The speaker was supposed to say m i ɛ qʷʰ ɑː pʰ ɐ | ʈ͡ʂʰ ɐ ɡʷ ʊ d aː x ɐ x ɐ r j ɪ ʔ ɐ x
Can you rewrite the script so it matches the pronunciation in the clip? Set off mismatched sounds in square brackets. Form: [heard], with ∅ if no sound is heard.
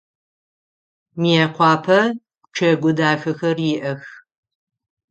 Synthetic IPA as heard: m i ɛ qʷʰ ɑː pʰ ɐ | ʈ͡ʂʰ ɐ ɡʷ ʊ d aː x ɐ x ɐ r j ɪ ʔ ɐ x